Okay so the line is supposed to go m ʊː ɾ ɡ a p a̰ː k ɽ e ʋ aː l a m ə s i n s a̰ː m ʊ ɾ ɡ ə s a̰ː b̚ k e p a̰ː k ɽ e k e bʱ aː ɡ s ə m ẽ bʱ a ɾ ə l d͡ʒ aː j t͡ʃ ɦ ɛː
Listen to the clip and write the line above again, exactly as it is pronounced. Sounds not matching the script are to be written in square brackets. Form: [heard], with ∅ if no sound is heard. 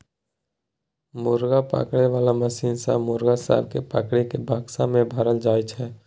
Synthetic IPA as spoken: m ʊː ɾ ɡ a p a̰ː k ɽ e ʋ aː l a m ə s [iː] n s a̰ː m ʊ ɾ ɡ [a] s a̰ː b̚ k e p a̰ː k ɽ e k e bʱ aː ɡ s [a] m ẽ bʱ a ɾ ə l d͡ʒ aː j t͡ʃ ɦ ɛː